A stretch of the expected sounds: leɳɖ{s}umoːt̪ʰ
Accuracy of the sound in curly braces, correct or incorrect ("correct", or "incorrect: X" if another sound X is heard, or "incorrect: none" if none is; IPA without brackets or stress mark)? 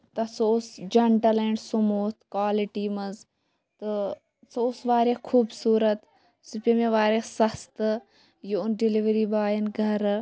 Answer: correct